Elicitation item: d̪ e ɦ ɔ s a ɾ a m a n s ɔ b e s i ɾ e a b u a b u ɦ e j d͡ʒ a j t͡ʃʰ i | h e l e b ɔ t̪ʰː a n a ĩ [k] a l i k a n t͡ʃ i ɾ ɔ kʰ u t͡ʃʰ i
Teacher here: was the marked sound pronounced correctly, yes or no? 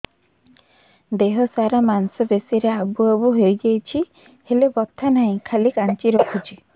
no